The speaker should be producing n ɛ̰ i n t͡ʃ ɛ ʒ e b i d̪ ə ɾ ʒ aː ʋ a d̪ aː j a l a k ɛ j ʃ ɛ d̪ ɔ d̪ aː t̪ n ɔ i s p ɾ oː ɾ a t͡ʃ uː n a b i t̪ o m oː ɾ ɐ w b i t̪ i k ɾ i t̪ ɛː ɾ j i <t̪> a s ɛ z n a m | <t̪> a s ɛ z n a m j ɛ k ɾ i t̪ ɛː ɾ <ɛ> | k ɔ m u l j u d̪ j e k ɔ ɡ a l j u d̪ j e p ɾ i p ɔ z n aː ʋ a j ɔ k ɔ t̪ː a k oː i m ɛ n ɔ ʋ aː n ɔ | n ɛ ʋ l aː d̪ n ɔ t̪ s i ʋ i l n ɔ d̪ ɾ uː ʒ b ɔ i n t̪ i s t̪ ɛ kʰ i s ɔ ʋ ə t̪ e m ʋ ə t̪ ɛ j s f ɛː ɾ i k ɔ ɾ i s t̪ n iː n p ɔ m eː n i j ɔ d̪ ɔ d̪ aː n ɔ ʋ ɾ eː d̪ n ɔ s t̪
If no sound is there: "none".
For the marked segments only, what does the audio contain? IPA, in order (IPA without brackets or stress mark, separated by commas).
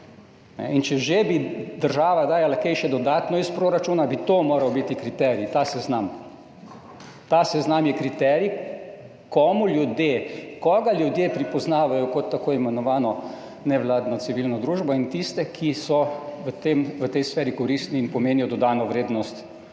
t̪, t̪, i